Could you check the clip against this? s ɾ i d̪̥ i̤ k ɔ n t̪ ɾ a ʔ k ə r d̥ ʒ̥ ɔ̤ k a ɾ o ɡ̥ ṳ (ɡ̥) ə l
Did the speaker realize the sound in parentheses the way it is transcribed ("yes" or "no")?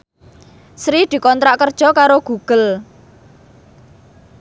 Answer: yes